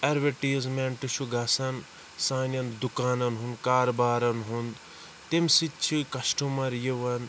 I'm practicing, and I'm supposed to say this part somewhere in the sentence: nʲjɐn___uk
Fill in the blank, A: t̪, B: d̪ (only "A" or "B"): B